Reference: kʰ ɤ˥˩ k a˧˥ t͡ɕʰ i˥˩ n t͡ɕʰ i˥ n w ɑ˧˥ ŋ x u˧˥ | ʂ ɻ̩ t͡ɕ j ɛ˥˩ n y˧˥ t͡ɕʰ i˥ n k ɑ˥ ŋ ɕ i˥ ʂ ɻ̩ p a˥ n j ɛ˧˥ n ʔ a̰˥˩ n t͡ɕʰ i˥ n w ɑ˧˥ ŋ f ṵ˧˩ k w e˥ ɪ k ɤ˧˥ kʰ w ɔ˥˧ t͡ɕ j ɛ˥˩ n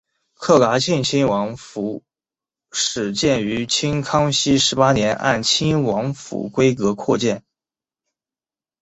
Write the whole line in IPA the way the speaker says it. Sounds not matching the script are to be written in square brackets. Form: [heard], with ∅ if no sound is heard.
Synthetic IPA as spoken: kʰ ɤ˥˩ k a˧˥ t͡ɕʰ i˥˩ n t͡ɕʰ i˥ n w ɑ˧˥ ŋ [f] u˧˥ | ʂ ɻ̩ t͡ɕ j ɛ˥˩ n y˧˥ t͡ɕʰ i˥ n [kʰ] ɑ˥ ŋ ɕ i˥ ʂ ɻ̩ p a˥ n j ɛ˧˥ n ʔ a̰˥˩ n t͡ɕʰ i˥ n w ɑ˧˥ ŋ f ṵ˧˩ k w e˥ ɪ k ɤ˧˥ kʰ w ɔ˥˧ t͡ɕ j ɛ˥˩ n